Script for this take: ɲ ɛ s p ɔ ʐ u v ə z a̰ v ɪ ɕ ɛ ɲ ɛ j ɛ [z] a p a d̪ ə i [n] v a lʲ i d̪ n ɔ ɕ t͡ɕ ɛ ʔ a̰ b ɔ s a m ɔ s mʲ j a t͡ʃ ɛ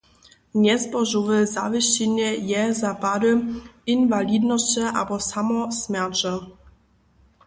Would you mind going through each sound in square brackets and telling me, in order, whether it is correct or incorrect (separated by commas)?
correct, correct